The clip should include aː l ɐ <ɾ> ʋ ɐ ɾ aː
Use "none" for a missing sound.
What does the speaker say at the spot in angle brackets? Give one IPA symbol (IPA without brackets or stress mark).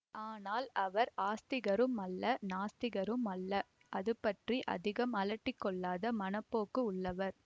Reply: none